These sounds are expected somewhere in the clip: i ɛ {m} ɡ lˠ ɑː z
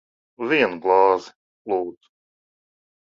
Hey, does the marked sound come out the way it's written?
no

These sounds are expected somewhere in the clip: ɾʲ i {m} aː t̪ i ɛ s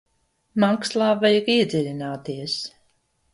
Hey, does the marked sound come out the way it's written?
no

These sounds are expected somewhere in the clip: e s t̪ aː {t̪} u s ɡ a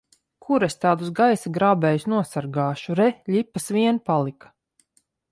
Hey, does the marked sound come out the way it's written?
no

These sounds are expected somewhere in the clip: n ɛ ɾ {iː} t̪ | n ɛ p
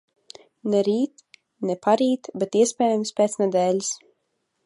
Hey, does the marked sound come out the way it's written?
yes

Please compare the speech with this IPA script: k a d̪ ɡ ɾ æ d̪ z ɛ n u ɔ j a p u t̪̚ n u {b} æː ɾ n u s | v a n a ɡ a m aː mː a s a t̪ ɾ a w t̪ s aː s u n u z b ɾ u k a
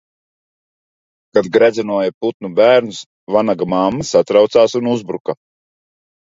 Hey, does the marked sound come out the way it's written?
yes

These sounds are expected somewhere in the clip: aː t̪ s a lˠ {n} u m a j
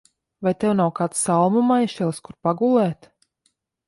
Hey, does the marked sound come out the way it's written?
no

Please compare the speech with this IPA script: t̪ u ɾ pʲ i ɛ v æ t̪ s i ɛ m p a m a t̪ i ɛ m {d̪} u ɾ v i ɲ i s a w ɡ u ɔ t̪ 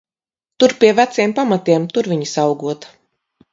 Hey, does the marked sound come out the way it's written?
no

